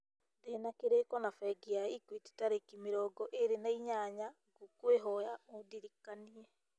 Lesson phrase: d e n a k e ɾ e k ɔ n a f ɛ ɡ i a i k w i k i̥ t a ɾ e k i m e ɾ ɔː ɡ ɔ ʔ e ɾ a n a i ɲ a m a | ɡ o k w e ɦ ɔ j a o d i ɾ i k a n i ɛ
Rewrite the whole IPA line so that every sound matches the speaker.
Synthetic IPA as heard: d e n a k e ɾ e k ɔ n a f ɛ ɡ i a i k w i t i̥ t a ɾ e k i m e ɾ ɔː ɡ ɔ ʔ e ɾ e n a i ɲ a ɲ a | ɡ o k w e ɦ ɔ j a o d i ɾ i k a n i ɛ